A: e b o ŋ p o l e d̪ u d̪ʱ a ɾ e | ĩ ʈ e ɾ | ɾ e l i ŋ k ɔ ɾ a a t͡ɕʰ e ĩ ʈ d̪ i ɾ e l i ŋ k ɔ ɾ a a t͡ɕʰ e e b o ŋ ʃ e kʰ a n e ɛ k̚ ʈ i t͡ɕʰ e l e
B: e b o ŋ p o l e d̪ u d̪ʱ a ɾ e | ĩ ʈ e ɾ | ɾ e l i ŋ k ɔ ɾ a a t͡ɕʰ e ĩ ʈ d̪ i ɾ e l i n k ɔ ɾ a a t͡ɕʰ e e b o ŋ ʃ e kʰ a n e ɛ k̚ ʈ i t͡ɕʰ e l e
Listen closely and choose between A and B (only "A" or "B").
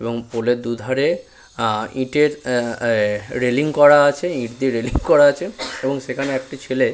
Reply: A